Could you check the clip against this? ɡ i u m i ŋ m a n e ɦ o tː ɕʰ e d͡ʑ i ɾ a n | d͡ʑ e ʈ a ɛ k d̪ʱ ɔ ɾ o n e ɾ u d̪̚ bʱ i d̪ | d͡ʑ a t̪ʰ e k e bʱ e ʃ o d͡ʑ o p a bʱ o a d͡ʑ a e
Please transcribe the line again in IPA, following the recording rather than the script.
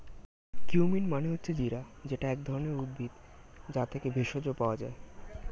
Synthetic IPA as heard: k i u m i n m a n e ɦ o tː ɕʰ e d͡ʑ i ɾ a | d͡ʑ e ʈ a ɛ k d̪ʱ ɔ ɾ o n e ɾ u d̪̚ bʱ i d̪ | d͡ʑ a t̪ʰ e k e bʱ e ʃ o d͡ʑ o p a o a d͡ʑ a e